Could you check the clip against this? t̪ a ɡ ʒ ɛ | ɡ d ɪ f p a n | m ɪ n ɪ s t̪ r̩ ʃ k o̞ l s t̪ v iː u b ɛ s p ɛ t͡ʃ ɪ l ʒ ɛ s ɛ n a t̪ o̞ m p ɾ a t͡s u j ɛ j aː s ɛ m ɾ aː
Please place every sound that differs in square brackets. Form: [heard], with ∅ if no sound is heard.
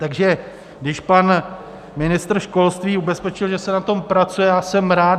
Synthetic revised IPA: t̪ a ɡ ʒ ɛ | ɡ d ɪ [ʃ] p a n | m ɪ n ɪ s t̪ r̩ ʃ k o̞ l s t̪ v iː u b ɛ s p ɛ t͡ʃ ɪ l ʒ ɛ s ɛ n a t̪ o̞ m p ɾ a t͡s u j ɛ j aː s ɛ m ɾ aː